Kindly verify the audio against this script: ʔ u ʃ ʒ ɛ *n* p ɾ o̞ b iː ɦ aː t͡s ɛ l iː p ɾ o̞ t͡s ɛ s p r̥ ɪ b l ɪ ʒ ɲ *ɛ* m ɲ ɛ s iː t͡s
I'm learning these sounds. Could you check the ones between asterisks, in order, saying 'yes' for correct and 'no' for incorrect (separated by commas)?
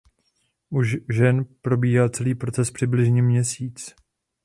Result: yes, yes